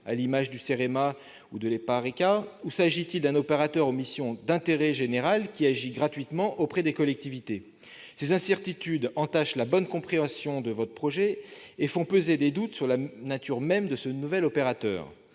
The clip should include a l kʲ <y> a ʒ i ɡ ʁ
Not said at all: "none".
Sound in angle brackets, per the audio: i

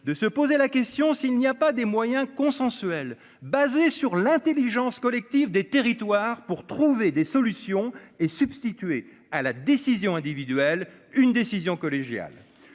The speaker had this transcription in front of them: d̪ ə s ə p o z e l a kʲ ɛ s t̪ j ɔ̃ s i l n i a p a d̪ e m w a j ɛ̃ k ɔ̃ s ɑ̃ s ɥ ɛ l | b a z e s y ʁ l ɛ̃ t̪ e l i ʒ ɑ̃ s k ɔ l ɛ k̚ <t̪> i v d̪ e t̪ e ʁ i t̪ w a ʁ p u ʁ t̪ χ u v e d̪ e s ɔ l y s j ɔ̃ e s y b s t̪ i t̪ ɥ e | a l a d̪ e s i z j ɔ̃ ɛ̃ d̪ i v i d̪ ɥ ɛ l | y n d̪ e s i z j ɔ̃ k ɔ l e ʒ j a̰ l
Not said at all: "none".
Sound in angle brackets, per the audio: t̪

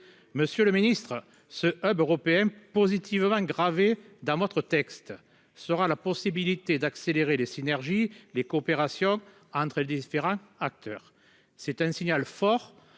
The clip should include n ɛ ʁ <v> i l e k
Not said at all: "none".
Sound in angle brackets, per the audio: ʒ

